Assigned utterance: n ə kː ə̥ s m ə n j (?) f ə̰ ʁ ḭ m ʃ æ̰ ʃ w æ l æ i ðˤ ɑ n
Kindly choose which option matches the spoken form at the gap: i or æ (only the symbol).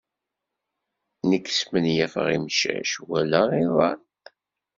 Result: æ